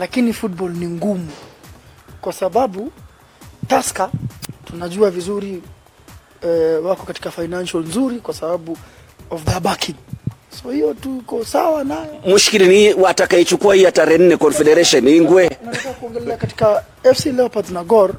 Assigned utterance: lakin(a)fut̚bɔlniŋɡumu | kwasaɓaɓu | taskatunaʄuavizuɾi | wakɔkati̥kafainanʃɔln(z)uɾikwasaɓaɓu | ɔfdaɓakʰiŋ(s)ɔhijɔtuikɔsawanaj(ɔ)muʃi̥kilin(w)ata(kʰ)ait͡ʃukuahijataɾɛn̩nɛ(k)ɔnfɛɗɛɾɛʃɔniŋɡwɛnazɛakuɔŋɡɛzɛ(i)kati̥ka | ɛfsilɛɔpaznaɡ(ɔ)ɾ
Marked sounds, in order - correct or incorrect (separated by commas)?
incorrect, correct, correct, correct, correct, incorrect, correct, incorrect, correct